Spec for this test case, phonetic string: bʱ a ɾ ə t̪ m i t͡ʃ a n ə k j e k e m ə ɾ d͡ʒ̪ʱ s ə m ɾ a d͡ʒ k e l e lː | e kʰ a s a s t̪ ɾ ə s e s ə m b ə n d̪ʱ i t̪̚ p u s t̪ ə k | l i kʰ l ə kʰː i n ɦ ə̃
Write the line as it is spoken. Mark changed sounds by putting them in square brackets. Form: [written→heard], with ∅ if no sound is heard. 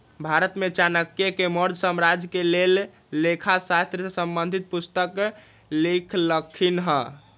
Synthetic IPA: bʱ a ɾ ə t̪ m [i→e] t͡ʃ a n ə k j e k e m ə ɾ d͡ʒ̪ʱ s ə m ɾ a d͡ʒ k e l e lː | e kʰ a s a s t̪ ɾ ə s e s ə m b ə n d̪ʱ i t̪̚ p u s t̪ ə k | l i kʰ l ə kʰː i n ɦ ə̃